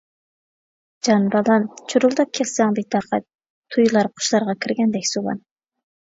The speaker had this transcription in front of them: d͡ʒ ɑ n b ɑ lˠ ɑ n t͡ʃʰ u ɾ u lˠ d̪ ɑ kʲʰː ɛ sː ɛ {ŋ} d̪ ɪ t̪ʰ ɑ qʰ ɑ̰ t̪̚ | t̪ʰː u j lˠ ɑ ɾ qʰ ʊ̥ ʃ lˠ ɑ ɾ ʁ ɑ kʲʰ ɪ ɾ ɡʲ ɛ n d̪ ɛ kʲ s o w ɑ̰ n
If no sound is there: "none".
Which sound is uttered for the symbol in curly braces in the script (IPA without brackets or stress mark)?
ŋ